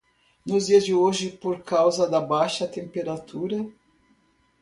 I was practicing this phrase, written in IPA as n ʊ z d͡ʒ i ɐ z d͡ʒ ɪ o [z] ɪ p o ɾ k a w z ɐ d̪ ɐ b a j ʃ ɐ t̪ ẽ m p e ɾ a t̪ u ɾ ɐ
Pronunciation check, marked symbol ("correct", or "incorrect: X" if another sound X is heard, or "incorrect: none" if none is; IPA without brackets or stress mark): incorrect: ʒ